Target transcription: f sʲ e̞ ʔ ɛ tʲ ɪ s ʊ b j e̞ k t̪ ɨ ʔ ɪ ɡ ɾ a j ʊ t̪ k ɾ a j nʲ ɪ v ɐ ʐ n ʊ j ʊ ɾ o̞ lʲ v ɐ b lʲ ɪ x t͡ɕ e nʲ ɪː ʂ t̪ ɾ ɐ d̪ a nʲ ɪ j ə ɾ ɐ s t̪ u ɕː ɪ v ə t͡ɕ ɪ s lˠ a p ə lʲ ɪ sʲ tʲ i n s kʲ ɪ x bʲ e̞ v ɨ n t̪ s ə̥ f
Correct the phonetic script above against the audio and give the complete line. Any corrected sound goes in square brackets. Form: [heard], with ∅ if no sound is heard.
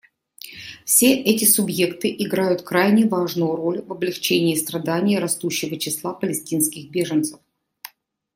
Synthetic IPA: f sʲ e̞ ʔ ɛ tʲ ɪ s ʊ b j e̞ k t̪ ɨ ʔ ɪ ɡ ɾ a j ʊ t̪ k ɾ a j nʲ ɪ v [a] ʐ n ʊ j ʊ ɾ o̞ lʲ v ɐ b lʲ ɪ x t͡ɕ e nʲ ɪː [s] t̪ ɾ ɐ d̪ a nʲ ɪ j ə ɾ ɐ s t̪ u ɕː ɪ v ə t͡ɕ ɪ s lˠ a p ə lʲ ɪ sʲ tʲ i n s kʲ ɪ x bʲ e̞ [ʐ] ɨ n t̪ s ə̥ f